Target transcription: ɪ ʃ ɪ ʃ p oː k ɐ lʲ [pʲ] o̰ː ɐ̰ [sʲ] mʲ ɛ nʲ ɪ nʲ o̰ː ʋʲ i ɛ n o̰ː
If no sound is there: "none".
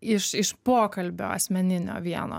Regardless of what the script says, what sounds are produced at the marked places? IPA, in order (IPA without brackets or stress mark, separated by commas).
bʲ, sʲ